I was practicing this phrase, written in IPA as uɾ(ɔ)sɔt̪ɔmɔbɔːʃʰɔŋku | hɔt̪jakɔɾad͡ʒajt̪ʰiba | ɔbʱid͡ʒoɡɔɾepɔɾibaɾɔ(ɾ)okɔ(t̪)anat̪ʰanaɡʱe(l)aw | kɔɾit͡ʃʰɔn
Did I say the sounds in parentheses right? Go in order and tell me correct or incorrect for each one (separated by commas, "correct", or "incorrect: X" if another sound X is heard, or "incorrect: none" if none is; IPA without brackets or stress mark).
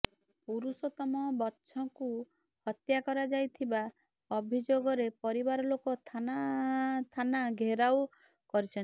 incorrect: u, incorrect: l, incorrect: t̪ʰ, incorrect: ɾ